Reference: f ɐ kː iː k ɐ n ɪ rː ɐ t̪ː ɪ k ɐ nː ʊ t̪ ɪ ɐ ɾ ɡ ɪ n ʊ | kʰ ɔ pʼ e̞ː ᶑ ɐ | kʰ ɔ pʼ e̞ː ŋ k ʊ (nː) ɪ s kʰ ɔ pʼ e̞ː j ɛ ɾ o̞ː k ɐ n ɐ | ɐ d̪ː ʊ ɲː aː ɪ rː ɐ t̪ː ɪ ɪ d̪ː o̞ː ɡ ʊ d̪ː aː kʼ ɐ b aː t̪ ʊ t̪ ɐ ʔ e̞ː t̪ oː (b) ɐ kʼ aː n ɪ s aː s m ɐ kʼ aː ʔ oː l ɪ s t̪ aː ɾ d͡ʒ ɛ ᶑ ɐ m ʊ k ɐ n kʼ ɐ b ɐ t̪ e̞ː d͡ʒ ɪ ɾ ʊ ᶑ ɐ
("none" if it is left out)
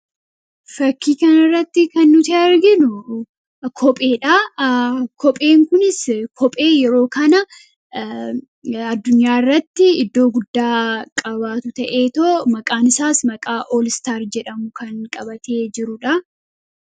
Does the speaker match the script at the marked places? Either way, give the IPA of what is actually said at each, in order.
n, m

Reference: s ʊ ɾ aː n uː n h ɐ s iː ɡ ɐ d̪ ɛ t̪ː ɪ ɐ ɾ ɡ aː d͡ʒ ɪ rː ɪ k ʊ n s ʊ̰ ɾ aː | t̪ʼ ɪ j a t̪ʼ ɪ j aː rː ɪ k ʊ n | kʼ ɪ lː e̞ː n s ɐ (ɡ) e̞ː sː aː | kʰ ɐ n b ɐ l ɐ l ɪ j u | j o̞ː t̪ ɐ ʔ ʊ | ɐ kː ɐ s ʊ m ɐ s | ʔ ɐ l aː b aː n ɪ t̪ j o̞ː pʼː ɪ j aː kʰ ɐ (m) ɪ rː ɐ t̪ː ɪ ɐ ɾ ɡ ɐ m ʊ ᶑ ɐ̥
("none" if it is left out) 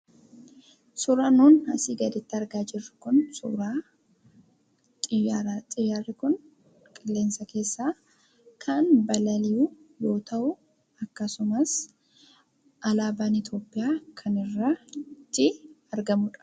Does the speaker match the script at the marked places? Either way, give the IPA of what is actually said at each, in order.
k, n

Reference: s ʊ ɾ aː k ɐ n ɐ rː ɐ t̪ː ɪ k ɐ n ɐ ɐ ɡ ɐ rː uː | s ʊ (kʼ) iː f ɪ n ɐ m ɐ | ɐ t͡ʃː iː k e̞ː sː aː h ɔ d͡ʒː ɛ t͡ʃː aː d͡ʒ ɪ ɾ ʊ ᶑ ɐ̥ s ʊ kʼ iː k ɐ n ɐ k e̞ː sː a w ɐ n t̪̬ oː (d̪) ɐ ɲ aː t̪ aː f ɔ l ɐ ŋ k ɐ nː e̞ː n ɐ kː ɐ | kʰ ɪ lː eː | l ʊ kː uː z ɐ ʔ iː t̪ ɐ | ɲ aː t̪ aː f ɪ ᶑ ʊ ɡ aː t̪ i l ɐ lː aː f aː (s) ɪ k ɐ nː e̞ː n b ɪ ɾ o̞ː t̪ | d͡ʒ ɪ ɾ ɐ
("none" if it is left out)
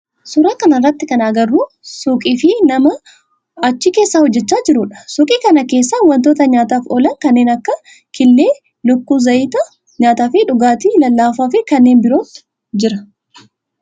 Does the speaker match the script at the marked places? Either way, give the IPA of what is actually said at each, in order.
kʼ, t̪, f

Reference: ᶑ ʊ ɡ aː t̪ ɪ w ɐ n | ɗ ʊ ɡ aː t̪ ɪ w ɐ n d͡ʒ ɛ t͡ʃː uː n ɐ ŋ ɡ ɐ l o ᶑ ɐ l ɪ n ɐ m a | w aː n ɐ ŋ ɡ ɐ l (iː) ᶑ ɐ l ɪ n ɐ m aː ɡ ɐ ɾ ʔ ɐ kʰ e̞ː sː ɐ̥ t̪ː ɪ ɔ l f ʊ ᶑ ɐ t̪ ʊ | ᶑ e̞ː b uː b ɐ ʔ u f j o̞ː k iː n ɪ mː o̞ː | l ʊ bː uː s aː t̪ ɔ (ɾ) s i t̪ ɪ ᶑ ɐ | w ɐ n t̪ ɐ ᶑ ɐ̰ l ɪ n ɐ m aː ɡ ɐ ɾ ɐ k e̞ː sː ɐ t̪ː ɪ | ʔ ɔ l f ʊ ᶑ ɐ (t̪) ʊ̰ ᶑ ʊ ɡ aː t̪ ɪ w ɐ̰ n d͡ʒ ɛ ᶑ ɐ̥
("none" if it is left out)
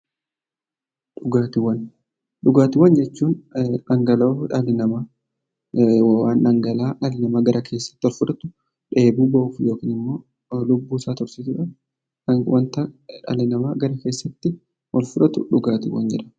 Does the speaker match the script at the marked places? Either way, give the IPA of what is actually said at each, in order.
aː, ɾ, t̪

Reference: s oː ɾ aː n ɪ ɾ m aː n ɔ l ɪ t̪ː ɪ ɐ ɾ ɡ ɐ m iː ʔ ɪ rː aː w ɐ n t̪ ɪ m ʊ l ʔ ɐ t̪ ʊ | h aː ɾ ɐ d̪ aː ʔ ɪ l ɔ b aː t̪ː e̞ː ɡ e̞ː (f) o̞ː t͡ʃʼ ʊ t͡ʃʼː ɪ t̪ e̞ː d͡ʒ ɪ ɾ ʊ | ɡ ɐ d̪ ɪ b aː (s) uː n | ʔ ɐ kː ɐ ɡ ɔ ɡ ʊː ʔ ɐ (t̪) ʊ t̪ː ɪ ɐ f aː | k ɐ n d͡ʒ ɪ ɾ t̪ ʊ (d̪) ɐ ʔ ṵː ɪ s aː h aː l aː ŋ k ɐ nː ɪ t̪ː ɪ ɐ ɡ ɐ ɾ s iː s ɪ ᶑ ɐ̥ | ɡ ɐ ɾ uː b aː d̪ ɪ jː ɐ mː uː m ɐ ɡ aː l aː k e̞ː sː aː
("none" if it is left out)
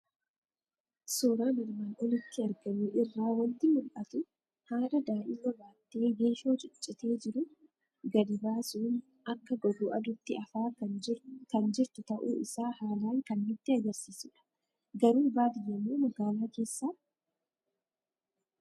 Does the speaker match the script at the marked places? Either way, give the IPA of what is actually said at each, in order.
ʃ, s, d̪, t̪

